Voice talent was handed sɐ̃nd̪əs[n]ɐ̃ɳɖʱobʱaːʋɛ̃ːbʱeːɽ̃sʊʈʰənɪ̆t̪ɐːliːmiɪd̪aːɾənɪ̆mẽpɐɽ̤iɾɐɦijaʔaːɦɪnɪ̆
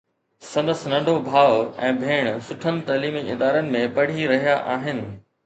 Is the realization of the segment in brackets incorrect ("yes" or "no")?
no